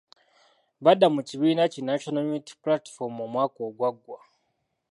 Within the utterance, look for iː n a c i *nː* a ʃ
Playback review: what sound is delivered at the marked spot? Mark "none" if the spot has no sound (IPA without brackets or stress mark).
n